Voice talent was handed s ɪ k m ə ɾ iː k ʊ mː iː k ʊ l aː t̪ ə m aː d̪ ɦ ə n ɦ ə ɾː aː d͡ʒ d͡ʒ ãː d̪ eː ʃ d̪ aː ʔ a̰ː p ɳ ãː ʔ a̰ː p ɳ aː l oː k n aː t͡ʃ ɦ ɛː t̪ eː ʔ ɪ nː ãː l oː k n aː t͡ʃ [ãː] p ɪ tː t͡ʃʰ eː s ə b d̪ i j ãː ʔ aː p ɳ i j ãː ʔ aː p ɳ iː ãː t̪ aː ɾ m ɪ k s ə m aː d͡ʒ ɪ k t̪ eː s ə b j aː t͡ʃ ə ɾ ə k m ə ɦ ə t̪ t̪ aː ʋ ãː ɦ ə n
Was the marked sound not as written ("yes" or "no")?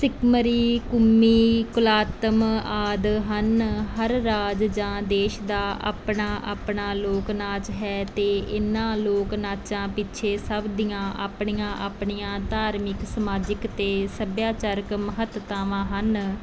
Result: no